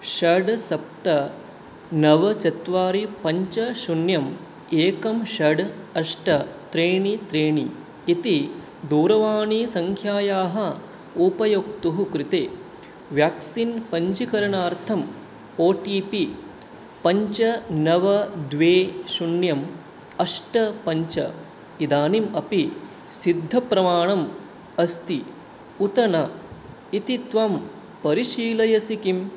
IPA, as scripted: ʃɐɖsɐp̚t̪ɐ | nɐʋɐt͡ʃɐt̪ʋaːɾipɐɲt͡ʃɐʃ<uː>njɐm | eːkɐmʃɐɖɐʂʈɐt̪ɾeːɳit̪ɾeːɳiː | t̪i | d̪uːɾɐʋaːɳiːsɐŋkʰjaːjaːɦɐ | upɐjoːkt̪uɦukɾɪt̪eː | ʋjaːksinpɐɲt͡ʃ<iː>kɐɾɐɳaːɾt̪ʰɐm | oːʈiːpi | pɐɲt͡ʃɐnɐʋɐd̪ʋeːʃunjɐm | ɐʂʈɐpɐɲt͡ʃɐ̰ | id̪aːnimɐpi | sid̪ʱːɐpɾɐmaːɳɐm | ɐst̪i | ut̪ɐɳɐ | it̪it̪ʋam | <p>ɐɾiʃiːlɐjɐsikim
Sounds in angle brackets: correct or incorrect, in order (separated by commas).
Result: incorrect, incorrect, correct